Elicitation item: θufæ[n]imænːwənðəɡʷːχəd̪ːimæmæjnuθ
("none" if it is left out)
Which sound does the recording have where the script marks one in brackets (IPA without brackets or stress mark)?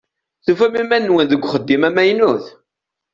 m